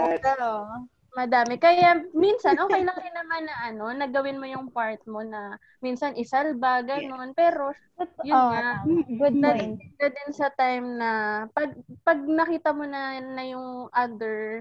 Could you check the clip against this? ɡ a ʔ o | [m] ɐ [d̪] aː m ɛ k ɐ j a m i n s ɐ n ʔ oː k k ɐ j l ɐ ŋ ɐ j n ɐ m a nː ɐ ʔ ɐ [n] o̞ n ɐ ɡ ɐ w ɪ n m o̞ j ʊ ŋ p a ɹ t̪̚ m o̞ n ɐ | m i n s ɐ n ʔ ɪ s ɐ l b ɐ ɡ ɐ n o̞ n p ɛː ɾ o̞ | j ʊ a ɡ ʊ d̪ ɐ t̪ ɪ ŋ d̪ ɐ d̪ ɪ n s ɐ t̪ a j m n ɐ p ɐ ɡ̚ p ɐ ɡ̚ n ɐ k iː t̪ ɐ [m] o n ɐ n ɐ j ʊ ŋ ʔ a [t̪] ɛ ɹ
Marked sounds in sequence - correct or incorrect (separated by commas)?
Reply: correct, correct, correct, correct, incorrect